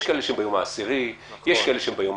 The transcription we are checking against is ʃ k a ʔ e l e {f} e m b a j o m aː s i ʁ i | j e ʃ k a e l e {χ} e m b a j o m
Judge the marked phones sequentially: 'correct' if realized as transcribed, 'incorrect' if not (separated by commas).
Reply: incorrect, incorrect